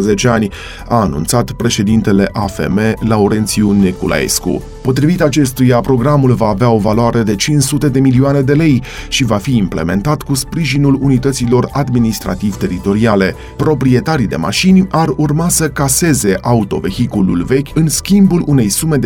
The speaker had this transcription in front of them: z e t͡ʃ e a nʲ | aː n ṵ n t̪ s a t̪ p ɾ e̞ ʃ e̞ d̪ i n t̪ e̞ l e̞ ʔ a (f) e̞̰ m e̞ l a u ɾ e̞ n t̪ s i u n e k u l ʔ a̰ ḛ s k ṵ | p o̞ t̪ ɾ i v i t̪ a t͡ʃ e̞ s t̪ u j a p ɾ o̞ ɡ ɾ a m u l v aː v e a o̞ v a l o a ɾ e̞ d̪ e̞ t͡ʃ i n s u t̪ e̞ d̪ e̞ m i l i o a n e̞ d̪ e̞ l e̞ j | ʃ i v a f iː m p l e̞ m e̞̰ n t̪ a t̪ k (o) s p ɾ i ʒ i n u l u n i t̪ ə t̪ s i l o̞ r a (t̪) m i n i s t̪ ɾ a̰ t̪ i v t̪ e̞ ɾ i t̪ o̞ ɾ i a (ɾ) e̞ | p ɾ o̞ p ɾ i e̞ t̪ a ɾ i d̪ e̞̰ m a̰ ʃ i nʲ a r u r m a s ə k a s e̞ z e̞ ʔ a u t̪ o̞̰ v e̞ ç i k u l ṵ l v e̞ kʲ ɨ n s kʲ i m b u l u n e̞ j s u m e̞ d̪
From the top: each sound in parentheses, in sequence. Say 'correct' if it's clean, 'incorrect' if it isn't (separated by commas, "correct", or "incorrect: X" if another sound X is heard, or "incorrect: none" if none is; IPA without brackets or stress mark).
correct, incorrect: u, incorrect: d̪, incorrect: l